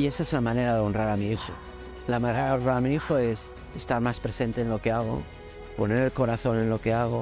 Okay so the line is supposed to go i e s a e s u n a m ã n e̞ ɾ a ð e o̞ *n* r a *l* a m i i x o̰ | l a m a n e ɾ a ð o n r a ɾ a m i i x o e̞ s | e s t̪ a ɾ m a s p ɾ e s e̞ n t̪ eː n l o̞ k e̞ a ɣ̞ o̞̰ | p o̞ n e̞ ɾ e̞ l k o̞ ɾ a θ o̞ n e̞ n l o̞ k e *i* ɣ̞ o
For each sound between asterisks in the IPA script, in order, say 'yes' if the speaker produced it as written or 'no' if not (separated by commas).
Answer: yes, no, no